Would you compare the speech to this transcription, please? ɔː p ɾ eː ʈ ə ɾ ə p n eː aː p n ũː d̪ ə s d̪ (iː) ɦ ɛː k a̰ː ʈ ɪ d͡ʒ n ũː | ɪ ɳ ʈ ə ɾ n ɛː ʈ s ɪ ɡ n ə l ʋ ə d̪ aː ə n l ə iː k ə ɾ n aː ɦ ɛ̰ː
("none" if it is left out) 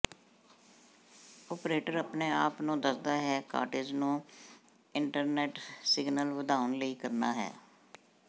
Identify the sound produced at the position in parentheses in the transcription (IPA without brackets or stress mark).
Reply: aː